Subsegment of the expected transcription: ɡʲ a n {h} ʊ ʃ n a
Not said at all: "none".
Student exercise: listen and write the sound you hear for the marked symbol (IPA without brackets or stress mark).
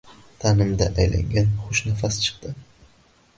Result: χ